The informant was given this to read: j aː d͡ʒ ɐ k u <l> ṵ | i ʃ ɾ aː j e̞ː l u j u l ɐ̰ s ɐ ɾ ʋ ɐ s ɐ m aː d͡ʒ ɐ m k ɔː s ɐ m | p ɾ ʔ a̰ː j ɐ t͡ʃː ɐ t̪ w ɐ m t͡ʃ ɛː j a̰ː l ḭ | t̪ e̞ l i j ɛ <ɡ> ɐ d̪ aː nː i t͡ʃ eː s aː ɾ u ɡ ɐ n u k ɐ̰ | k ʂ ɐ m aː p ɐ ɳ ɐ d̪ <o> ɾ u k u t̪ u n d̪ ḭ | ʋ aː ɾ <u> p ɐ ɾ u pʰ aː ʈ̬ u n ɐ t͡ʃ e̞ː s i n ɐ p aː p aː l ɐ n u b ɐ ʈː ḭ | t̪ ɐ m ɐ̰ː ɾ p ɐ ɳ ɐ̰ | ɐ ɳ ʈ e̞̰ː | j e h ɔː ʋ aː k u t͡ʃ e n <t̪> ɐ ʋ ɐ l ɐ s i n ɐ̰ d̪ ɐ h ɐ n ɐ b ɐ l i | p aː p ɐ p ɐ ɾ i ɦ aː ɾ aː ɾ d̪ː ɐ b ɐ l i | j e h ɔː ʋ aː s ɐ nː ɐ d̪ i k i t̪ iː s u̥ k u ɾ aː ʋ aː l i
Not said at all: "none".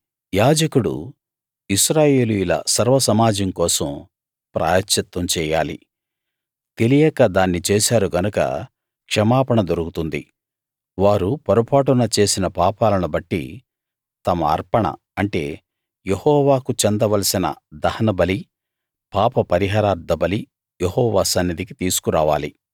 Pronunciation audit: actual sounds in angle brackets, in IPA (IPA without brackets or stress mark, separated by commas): ɽ, k, o, u, d̪